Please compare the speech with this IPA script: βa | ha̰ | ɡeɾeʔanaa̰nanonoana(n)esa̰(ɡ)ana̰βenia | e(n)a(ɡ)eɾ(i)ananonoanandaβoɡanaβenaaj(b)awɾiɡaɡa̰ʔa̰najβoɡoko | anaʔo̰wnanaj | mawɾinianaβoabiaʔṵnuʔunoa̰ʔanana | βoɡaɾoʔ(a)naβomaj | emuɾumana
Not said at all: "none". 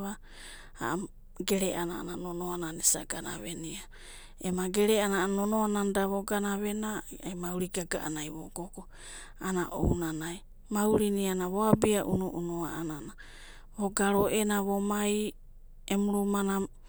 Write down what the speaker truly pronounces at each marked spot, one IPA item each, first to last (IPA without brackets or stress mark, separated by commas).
n, ɡ, m, ɡ, e, m, e